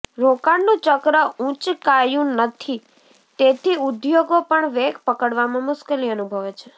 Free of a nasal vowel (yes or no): no